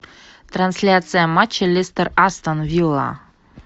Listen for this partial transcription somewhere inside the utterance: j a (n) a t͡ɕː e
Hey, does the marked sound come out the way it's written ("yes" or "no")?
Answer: no